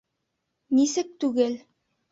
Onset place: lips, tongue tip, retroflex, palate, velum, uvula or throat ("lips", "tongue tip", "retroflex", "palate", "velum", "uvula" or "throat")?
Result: tongue tip